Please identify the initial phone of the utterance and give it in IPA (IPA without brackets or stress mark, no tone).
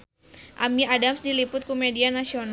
ʔ